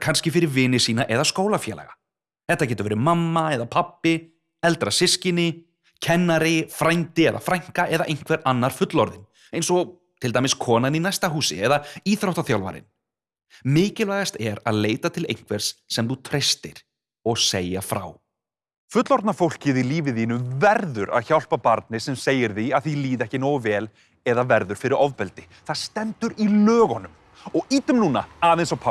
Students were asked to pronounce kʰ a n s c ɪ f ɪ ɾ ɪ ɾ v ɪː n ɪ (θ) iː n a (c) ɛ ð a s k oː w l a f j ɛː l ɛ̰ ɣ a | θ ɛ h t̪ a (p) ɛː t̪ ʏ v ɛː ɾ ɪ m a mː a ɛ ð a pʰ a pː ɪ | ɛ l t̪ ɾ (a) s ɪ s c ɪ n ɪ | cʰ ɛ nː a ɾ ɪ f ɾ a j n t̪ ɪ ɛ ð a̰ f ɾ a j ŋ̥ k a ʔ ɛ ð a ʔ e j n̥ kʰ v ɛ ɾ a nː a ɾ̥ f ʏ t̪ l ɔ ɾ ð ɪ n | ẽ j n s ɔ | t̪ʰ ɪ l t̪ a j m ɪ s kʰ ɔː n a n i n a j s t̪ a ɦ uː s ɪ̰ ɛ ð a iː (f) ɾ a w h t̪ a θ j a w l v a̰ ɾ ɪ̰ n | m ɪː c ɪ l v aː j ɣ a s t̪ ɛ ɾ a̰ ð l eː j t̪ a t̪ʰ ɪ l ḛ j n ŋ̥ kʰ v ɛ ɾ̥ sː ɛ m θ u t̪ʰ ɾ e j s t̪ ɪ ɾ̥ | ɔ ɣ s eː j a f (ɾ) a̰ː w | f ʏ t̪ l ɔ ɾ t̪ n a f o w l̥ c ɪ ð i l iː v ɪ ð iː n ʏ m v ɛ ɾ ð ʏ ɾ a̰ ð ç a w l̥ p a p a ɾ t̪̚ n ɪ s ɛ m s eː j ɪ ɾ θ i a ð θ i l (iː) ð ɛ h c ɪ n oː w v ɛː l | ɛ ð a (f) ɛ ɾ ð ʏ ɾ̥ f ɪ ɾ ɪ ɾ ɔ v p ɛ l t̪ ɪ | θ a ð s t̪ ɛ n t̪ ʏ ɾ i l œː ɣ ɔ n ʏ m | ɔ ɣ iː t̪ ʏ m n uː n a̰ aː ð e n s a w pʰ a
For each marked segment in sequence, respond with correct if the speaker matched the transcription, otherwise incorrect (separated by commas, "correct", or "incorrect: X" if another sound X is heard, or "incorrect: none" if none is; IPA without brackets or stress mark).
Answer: incorrect: s, incorrect: ʔ, incorrect: c, correct, incorrect: θ, correct, correct, incorrect: v